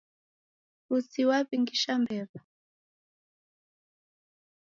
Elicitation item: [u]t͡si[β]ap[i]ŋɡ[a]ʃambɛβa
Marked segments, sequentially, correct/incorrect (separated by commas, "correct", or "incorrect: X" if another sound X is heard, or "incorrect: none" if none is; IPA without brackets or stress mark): correct, incorrect: w, correct, incorrect: i